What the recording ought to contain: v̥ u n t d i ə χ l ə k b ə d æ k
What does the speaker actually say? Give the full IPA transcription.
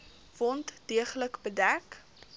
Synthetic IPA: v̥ ɔ n t d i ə χ l ə k b ə d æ k

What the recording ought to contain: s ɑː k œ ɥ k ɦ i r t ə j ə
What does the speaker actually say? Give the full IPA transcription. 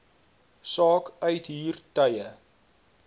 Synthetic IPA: s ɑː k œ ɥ t ɦ iː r t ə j ə

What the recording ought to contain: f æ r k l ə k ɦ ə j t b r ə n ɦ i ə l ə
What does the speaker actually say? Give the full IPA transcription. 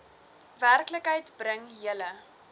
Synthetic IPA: v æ r k l ə k ɦ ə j t b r ə ŋ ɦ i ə l ə

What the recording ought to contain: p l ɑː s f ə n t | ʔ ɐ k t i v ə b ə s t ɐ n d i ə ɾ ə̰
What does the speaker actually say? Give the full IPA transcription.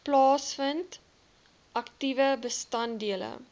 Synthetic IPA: p l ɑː s f ə n t | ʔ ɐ k t i v ə b ə s t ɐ n d i ə l ə̰

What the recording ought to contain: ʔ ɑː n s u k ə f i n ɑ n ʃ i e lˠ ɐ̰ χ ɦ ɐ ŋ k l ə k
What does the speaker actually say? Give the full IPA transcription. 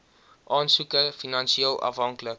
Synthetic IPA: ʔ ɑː n s u k ə f i n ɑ n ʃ i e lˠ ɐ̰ f ɦ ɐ ŋ k l ə k

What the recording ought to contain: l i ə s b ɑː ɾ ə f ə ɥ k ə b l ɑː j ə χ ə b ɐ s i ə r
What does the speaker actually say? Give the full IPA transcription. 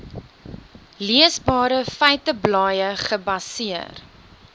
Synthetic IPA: l i ə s b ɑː ɾ ə f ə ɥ t ə b l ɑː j ə χ ə b ɐ s i ə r

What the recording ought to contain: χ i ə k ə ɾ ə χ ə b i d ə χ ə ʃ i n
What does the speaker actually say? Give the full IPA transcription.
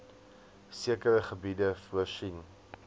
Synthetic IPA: s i ə k ə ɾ ə χ ə b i d ə f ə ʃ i n

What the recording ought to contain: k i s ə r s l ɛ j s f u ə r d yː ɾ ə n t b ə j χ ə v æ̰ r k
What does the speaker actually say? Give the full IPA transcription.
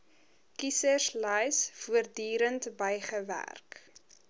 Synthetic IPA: k i s ə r s l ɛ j s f u ə r d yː ɾ ə n t b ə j χ ə v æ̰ r k

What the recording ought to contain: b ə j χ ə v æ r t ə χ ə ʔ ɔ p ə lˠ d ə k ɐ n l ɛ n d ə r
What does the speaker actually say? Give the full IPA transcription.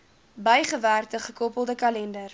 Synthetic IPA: b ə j χ ə v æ r t ə χ ə k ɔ p ə lˠ d ə k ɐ l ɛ n d ə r

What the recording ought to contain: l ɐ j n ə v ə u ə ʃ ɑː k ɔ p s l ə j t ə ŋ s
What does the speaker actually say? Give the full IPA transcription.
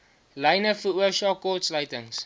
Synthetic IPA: l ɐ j n ə f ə u ə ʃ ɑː k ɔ t s l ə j t ə ŋ s

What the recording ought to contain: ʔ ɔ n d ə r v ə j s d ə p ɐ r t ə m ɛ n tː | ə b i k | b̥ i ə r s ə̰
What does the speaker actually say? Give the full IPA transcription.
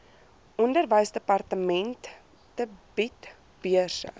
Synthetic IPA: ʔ ɔ n d ə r v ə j s d ə p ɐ r t ə m ɛ n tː | ə b i t | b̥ i ə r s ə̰

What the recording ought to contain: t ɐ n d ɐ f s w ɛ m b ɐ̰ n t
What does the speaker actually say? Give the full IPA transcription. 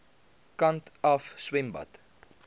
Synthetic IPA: k ɐ n t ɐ f s w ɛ m b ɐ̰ t

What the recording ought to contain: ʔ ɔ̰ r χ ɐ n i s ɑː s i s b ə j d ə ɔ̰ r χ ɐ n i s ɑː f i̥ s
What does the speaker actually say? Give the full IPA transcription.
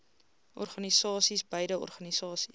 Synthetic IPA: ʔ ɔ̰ r χ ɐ n i s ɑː s i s b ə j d ə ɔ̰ r χ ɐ n i s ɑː s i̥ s

